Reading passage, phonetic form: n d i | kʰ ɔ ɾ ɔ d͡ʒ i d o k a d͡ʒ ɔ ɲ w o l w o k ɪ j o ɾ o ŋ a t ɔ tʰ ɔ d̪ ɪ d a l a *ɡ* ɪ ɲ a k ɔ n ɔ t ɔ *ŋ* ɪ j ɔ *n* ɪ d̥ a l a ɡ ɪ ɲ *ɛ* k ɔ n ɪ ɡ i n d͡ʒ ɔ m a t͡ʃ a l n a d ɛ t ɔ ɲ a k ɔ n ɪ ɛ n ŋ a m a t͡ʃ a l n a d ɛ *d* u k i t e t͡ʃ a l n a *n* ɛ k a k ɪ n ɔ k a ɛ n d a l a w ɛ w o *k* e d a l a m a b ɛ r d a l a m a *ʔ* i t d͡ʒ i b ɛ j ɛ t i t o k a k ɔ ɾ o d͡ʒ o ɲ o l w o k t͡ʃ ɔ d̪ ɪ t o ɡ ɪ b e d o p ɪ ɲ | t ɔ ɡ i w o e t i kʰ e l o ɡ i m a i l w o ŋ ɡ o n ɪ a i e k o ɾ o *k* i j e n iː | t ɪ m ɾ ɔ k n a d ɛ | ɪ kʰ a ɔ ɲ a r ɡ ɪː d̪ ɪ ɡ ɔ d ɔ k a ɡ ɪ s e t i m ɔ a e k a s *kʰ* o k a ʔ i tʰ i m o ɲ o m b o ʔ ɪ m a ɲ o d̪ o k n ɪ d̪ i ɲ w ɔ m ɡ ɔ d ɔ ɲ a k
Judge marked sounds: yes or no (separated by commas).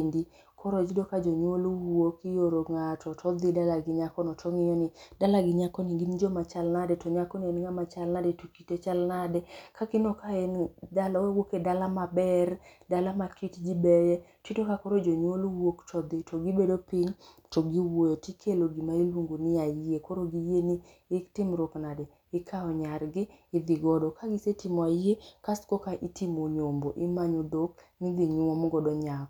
yes, yes, yes, no, no, no, yes, no, no, no